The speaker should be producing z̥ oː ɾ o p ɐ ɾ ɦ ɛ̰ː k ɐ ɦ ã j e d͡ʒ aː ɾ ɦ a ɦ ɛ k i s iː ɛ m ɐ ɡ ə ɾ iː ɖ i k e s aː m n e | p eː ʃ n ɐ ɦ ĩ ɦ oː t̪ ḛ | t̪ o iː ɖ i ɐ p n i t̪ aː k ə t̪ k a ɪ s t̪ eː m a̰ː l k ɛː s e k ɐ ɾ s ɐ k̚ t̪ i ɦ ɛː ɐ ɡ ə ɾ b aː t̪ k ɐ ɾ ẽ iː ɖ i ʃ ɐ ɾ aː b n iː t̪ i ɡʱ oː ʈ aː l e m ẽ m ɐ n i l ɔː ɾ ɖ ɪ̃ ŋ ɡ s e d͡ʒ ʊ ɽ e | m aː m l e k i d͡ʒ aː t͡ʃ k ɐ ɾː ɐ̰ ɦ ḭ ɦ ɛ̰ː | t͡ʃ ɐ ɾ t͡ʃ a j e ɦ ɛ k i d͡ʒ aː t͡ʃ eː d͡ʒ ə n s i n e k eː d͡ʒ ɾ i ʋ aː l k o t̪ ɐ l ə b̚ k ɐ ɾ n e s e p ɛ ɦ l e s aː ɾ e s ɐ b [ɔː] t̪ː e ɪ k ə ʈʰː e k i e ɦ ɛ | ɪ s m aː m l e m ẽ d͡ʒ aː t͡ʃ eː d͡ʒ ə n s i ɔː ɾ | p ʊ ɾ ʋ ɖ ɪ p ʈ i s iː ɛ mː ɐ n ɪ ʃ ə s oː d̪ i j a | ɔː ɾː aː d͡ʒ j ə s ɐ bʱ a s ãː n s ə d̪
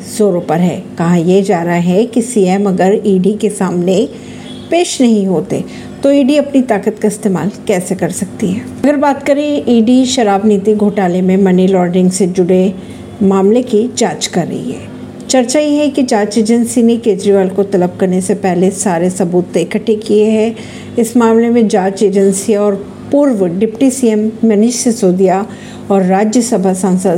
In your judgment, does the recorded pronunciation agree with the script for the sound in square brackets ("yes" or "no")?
no